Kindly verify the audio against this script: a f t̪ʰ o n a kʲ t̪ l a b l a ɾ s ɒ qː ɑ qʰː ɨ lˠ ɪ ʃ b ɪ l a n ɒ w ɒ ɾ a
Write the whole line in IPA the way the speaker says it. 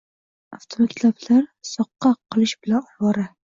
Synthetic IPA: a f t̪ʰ o m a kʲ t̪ l a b l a ɾ s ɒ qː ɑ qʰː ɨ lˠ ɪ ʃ b ɪ l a n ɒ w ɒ ɾ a